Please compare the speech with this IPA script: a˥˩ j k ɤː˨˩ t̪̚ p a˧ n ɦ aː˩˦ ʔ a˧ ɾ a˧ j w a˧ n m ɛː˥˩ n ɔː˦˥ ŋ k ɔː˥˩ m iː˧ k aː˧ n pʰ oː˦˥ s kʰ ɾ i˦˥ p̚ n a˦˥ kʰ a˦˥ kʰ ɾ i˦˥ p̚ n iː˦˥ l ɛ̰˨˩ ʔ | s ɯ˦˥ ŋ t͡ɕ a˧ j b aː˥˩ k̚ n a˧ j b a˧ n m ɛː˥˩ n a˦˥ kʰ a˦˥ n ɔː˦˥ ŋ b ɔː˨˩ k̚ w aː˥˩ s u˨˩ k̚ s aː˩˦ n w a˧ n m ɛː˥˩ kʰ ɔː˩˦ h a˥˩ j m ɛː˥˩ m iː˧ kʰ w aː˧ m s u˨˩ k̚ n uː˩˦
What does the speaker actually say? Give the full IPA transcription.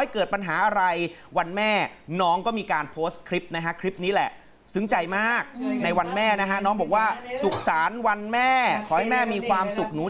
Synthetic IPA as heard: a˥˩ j k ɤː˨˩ t̪̚ p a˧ n ɦ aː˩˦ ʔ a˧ ɾ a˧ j w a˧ n m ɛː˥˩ n ɔː˦˥ ŋ k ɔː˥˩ m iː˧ k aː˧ n pʰ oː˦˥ s kʰ ɾ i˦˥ p̚ n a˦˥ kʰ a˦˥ kʰ ɾ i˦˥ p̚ n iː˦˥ l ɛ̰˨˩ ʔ | s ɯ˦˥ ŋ t͡ɕ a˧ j m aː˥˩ k̚ n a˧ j w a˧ n m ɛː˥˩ n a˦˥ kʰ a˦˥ n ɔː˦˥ ŋ b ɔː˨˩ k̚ w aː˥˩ s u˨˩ k̚ s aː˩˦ n w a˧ n m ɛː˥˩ kʰ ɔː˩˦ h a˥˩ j m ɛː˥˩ m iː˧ kʰ w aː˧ m s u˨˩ k̚ n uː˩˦

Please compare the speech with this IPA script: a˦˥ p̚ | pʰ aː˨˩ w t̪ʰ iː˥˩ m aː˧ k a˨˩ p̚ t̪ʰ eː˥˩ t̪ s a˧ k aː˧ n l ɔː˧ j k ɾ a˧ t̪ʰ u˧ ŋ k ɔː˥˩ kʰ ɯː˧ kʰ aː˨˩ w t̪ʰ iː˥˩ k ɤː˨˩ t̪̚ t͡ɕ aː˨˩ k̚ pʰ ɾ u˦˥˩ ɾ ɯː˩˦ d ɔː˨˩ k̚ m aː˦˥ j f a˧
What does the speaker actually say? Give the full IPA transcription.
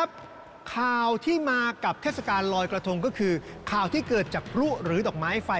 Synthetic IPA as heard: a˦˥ p̚ | kʰ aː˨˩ w t̪ʰ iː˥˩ m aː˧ k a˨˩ p̚ t̪ʰ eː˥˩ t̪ s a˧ k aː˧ n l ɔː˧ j k ɾ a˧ t̪ʰ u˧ ŋ k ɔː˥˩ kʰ ɯː˧ kʰ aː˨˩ w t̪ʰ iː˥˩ k ɤː˨˩ t̪̚ t͡ɕ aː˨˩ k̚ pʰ ɾ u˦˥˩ ɾ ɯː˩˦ d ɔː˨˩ k̚ m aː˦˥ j f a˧

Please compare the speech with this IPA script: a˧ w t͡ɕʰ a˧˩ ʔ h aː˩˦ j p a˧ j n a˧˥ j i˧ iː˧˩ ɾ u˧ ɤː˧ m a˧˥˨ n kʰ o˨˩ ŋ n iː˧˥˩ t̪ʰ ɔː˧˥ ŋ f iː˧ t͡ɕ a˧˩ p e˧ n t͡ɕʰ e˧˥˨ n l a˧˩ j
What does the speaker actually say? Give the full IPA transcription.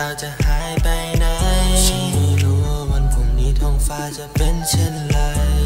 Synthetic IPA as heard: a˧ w t͡ɕ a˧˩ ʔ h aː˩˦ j p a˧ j n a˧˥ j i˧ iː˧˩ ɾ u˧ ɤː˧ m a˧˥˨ n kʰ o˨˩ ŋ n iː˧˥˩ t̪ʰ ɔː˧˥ ŋ f aː˧ t͡ɕ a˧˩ p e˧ n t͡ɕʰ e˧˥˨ n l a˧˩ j

